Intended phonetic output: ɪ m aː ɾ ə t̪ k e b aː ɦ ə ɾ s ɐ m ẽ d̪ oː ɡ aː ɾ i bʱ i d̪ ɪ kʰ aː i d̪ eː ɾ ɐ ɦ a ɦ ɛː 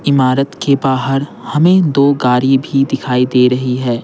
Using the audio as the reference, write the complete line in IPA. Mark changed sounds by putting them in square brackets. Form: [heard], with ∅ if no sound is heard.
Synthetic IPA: ɪ m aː ɾ ə t̪ k e b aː ɦ ə ɾ [h] ɐ m ẽ d̪ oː ɡ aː ɾ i bʱ i d̪ ɪ kʰ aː i d̪ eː ɾ ɐ ɦ [i] ɦ ɛː